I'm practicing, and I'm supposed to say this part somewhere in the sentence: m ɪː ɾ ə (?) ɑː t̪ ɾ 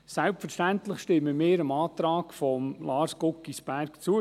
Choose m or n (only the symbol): m